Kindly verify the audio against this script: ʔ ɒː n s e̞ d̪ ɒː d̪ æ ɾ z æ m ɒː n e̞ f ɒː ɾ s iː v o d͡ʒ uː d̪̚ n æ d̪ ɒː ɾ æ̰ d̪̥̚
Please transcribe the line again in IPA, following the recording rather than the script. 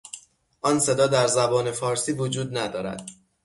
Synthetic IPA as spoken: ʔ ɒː n s e̞ d̪ ɒː d̪ æ ɾ z æ b ɒː n e̞ f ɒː ɾ s iː v o d͡ʒ uː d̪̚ n æ d̪ ɒː ɾ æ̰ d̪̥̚

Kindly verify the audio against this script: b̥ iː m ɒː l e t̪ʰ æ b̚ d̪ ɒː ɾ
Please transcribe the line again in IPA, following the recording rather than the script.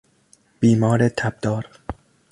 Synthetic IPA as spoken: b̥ iː m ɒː ɾ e t̪ʰ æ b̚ d̪ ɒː ɾ

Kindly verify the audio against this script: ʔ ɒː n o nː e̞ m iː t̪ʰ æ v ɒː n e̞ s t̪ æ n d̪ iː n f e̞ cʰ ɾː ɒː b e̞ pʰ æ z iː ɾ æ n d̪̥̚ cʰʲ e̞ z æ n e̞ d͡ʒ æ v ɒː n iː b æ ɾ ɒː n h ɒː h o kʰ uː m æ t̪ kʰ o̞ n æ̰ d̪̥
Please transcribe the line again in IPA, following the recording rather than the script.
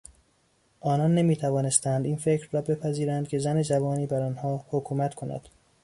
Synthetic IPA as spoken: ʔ ɒː n ɒ nː e̞ m iː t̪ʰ æ v ɒː n e̞ s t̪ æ n d̪ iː n f e̞ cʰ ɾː ɒː b e̞ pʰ æ z iː ɾ æ n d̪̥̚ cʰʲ e̞ z æ n e̞ d͡ʒ æ v ɒː n iː b æ ɾ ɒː n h ɒː h o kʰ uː m æ t̪ kʰ o̞ n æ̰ d̪̥

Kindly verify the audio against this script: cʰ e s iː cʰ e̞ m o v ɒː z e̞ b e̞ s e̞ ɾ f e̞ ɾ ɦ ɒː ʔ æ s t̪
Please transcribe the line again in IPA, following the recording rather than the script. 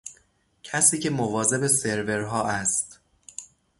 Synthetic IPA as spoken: cʰ æ s iː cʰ e̞ m o v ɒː z e̞ b e̞ s e̞ ɾ v e̞ ɾ ɦ ɒː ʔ æ s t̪

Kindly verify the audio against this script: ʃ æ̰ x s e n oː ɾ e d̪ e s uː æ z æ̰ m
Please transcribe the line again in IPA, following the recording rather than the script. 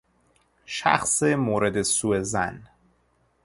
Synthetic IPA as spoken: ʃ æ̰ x s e m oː ɾ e d̪ e s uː e z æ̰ n

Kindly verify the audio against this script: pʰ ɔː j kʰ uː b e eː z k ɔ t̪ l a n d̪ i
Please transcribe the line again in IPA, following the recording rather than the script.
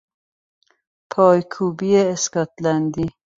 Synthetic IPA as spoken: pʰ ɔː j kʰ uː b i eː s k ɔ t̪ l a n d̪ i

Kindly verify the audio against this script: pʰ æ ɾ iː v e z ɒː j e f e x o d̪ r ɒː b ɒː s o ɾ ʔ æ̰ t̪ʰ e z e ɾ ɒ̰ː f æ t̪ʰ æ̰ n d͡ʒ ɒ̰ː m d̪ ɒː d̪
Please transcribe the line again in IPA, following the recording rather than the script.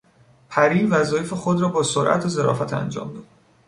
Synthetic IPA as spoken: pʰ æ ɾ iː v æ z ɒː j e f e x o d̪ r ɒː b ɒː s o ɾ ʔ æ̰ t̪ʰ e z e ɾ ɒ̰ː f æ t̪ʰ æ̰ n d͡ʒ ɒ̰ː m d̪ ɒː d̪

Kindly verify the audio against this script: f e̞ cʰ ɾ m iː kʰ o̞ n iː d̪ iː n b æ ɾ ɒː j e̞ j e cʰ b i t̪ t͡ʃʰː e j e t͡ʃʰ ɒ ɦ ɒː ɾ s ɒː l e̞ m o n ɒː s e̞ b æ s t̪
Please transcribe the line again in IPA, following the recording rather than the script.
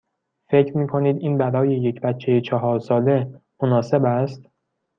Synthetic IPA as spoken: f e̞ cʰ ɾ m iː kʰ o̞ n iː d̪ iː n b æ ɾ ɒː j e̞ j e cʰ b æ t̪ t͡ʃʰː e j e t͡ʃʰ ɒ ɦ ɒː ɾ s ɒː l e̞ m o n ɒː s e̞ b æ s t̪

